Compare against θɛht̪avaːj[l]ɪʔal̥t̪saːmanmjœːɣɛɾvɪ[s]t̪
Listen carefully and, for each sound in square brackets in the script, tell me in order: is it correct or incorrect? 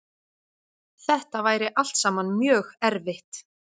incorrect: ɾ, incorrect: h

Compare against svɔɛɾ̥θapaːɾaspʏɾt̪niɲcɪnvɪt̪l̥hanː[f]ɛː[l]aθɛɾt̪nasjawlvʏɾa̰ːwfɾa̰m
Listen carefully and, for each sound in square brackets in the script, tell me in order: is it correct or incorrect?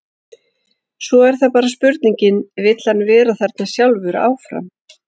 incorrect: v, incorrect: ɾ

